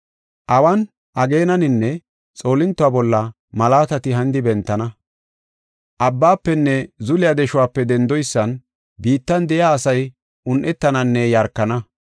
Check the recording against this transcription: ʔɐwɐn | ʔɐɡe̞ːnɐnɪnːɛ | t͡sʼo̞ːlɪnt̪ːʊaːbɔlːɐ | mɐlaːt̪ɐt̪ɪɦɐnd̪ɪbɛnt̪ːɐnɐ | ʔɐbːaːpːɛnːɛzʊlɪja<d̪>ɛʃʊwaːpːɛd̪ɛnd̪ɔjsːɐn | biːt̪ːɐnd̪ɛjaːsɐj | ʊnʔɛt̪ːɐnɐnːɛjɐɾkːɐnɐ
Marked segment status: correct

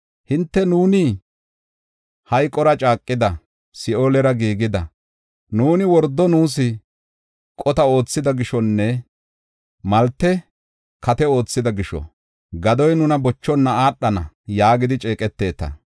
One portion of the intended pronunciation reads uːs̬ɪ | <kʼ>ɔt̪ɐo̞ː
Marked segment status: correct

